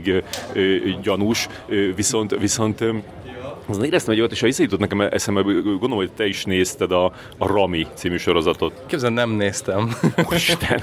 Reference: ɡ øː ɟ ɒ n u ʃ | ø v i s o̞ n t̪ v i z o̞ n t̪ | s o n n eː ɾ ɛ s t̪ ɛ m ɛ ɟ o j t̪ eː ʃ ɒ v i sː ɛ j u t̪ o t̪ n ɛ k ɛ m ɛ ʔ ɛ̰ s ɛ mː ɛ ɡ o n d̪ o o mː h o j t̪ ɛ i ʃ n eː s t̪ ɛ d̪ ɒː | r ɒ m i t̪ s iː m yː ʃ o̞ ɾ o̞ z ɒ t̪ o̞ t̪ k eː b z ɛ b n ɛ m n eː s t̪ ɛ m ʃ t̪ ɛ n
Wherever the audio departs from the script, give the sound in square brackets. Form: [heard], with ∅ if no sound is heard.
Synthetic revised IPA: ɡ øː ɟ ɒ n u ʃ | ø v i s o̞ n t̪ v i [s] o̞ n t̪ | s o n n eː ɾ ɛ s t̪ ɛ m ɛ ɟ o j t̪ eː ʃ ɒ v i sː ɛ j u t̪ o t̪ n ɛ k ɛ m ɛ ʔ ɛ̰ s ɛ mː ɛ ɡ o n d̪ o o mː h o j t̪ ɛ i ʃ n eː s t̪ ɛ d̪ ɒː | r ɒ m i t̪ s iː m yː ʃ o̞ ɾ o̞ z ɒ t̪ o̞ t̪ k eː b z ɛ [∅] n ɛ m n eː s t̪ ɛ m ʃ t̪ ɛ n